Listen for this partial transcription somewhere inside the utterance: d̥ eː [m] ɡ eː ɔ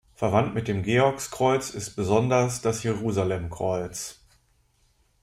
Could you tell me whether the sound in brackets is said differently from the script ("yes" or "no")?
no